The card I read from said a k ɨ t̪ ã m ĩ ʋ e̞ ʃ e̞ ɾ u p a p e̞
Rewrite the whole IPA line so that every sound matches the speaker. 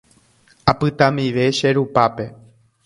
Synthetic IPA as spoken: a p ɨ t̪ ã m i ʋ e̞ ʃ e̞ ɾ u p a p e̞